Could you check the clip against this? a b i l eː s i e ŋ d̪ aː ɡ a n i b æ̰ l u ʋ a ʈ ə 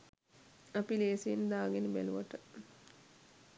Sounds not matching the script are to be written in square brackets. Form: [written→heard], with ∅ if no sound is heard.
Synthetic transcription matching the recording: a [b→p] i l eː s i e [ŋ→n] d̪ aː ɡ [a→e] n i b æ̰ l u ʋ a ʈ ə